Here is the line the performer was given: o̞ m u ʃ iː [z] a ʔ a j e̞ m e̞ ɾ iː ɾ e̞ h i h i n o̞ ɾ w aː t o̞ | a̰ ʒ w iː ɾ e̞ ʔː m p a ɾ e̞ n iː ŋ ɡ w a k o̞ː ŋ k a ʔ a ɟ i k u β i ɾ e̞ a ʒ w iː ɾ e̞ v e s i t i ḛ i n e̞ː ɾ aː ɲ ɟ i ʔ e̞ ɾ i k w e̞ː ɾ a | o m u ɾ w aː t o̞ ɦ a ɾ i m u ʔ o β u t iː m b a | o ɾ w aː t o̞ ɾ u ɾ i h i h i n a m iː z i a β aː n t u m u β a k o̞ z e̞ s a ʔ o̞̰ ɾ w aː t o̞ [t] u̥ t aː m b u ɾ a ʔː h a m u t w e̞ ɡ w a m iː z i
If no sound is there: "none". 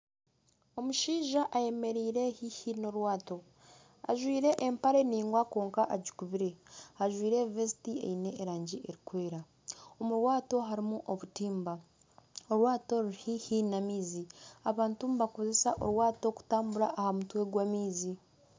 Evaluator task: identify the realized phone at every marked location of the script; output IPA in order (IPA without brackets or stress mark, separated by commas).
ʒ, k